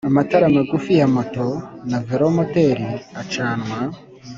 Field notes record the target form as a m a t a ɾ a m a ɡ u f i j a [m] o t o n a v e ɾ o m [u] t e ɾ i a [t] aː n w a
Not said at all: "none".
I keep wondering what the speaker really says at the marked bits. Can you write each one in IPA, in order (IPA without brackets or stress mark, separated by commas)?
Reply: m, o, t͡ʃ